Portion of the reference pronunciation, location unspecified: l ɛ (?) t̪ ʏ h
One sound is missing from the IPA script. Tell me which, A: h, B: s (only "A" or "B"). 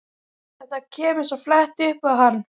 A